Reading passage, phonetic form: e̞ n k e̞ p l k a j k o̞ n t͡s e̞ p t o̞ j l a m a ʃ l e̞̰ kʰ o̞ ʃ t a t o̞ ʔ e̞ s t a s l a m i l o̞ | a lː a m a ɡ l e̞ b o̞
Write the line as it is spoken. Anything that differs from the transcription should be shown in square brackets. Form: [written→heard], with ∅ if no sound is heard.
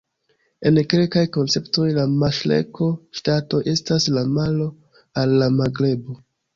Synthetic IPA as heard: e̞ n k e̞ [p→∅] l k a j k o̞ n t͡s e̞ p t o̞ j l a m a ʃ l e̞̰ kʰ o̞ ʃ t a t o̞ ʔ e̞ s t a s l a m [i→a] l o̞ | a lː a m a ɡ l e̞ b o̞